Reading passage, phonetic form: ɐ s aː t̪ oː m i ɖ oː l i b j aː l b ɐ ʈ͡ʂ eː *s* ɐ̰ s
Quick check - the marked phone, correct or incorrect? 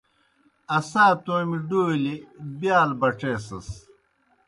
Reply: correct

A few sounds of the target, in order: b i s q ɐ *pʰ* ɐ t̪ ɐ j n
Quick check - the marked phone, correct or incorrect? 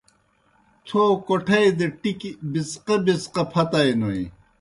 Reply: correct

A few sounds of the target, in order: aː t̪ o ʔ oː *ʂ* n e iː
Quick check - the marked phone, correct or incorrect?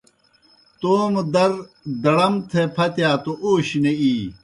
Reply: incorrect: ɕ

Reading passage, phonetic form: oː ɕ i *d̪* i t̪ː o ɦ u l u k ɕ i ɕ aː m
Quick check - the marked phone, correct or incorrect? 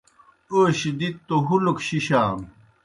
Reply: correct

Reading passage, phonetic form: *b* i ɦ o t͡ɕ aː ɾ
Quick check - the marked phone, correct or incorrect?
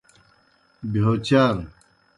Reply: correct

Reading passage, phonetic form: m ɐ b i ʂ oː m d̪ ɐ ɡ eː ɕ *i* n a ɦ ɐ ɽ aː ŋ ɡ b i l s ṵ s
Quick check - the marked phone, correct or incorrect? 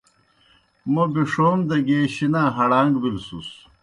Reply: correct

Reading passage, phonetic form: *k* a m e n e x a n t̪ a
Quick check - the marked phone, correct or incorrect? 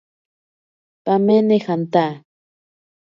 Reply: incorrect: p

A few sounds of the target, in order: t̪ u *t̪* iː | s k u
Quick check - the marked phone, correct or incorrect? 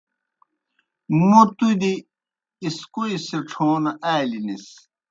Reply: incorrect: d̪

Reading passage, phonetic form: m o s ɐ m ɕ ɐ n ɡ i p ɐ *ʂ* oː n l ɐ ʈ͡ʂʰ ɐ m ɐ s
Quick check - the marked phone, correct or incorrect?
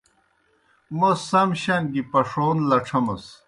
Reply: correct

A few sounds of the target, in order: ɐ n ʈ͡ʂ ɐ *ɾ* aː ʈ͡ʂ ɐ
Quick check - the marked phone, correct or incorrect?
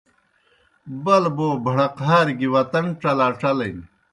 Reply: incorrect: l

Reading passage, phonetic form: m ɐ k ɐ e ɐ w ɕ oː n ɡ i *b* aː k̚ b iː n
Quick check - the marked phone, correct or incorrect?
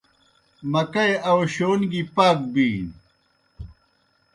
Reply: incorrect: p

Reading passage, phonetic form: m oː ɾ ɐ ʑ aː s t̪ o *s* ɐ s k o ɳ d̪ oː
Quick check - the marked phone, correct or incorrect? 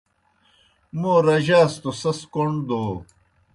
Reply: correct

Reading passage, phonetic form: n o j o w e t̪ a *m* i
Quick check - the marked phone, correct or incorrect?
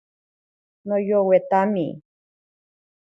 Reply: correct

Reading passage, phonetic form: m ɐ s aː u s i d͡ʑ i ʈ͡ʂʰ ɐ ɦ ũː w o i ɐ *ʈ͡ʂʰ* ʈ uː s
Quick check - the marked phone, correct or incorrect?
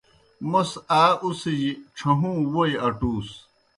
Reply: incorrect: none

